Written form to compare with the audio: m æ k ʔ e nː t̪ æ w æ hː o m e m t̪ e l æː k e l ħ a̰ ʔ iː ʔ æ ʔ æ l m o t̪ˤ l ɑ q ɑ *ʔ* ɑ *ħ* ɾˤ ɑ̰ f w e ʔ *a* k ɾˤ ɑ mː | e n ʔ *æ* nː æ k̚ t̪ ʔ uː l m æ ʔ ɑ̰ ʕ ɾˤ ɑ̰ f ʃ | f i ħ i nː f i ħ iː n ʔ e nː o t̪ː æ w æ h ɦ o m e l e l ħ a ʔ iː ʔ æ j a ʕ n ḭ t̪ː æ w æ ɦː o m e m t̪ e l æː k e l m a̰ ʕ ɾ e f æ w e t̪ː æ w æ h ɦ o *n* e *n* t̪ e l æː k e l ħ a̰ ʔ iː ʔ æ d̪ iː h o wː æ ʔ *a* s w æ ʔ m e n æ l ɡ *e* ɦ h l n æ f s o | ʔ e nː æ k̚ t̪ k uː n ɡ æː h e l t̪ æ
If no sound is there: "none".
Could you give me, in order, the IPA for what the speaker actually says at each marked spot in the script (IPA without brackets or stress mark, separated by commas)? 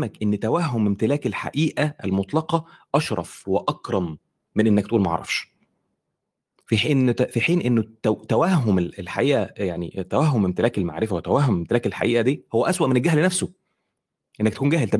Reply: ʔ, ʃ, ɑ, e, m, m, æ, æ